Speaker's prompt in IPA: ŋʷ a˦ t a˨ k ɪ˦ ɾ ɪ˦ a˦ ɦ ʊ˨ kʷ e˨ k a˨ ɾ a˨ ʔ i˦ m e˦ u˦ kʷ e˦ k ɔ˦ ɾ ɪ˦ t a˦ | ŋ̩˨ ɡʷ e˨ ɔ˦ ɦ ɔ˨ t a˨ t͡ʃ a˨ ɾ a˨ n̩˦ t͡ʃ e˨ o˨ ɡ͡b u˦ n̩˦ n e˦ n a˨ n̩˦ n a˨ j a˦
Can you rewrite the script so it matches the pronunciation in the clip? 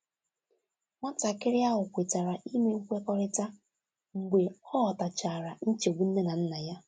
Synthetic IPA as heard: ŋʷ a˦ t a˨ k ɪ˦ ɾ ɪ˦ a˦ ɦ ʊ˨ kʷ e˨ t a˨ ɾ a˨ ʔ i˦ m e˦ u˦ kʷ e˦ k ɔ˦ ɾ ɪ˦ t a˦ | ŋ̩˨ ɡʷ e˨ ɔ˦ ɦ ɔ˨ t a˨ t͡ʃ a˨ ɾ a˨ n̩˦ t͡ʃ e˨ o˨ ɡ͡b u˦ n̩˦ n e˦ n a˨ n̩˦ n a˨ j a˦

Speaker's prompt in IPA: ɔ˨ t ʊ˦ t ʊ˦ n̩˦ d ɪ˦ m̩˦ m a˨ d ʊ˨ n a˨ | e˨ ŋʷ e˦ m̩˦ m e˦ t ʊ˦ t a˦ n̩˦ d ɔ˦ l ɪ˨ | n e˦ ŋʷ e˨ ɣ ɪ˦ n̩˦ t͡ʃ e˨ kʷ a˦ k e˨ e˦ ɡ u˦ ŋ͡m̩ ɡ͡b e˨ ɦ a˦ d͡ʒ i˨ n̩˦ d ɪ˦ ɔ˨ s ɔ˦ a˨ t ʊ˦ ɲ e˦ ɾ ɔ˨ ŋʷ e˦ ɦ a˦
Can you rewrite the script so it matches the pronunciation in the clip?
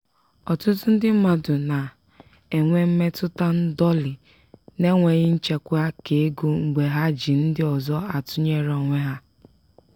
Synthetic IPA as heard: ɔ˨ t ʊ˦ t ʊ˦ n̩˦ d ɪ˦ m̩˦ m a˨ d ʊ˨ n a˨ | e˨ ŋʷ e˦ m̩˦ m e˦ t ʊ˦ t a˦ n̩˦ d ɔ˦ l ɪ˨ | n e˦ ŋʷ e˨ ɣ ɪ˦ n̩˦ t͡ʃ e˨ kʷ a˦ k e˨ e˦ ɡ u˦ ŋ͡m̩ ɡ͡b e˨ ɦ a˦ d͡ʒ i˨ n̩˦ d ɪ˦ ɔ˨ z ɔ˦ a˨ t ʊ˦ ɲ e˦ ɾ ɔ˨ ŋʷ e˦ ɦ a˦

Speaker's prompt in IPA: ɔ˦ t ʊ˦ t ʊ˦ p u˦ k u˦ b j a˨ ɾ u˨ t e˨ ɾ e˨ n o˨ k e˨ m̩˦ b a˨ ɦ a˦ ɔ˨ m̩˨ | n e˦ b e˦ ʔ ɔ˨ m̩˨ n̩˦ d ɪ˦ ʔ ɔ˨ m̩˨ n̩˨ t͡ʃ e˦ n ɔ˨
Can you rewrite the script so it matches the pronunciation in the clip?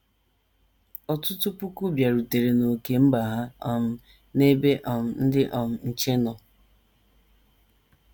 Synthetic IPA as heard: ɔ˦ t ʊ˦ t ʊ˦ p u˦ k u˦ b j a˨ ɾ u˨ t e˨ ɾ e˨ n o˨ k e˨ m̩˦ b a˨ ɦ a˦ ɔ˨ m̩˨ | n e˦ b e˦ ʔ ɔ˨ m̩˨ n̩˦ d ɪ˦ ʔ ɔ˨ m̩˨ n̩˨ t͡ʃ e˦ n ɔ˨

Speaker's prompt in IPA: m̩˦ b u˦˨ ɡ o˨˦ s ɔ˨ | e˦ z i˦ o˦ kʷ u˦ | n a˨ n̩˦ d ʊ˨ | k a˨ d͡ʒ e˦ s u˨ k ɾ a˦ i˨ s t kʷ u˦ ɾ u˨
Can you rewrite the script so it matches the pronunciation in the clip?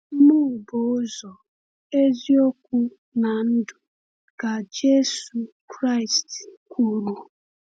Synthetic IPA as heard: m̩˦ m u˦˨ b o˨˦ z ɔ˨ | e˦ z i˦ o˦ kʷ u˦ | n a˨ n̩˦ d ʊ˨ | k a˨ d͡ʒ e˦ s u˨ k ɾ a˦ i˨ s t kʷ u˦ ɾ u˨

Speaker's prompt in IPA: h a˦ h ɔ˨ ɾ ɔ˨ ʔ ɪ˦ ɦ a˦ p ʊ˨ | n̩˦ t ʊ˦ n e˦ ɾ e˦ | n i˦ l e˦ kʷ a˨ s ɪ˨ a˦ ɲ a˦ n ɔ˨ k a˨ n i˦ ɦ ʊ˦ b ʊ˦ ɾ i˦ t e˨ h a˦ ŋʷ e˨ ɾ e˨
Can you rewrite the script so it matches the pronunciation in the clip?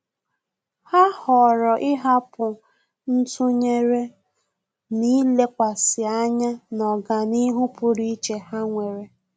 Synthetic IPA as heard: h a˦ h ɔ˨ ɾ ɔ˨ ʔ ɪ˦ ɦ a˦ p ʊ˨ | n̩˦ t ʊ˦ ɲ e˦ ɾ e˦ | n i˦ l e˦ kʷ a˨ s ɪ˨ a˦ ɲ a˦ n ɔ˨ ɡ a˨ n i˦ ɦ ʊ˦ p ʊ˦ ɾ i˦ t͡ʃ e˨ h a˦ ŋʷ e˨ ɾ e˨

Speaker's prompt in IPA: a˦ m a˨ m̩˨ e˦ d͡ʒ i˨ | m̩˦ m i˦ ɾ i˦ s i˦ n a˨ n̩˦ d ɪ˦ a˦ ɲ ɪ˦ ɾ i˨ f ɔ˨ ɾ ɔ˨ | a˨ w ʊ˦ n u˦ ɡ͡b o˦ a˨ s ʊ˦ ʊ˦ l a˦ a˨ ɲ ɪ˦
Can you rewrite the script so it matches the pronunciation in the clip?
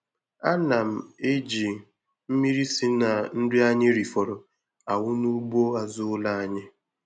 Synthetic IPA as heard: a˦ n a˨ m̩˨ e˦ d͡ʒ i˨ | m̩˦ m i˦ ɾ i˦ s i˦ n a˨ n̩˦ d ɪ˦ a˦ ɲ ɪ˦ ɾ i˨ f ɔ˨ ɾ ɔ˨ | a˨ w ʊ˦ n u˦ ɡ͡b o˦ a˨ z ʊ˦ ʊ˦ l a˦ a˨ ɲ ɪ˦

